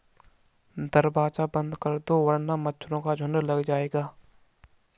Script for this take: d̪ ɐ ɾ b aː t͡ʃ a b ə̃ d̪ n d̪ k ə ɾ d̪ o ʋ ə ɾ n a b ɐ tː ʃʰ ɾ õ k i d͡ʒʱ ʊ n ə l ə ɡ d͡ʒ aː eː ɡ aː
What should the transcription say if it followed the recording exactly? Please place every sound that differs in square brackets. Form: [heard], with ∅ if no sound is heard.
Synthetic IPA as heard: d̪ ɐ ɾ b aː t͡ʃ a b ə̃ [∅] n d̪ k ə ɾ d̪ o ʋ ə ɾ n a [m] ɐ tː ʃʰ ɾ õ k [a] d͡ʒʱ ʊ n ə l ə ɡ d͡ʒ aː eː ɡ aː